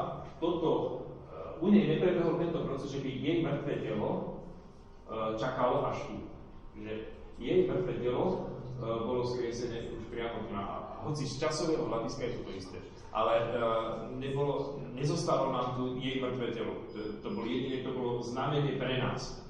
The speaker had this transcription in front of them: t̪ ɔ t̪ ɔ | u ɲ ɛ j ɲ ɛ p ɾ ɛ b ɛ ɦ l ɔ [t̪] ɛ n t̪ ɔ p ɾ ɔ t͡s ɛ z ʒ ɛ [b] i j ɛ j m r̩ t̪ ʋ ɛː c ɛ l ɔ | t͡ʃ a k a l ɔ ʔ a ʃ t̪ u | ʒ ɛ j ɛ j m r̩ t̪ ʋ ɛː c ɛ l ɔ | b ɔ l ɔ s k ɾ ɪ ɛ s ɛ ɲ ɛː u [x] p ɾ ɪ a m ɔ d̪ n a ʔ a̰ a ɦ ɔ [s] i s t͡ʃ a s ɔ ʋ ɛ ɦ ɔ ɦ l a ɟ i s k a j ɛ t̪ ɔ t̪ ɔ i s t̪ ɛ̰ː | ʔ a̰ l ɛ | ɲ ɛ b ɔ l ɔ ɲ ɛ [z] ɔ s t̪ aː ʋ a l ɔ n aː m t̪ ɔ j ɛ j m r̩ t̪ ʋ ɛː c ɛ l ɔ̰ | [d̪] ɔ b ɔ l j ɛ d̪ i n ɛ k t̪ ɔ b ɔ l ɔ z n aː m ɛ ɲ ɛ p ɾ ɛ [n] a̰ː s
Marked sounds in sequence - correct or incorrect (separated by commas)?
correct, correct, incorrect, incorrect, correct, incorrect, correct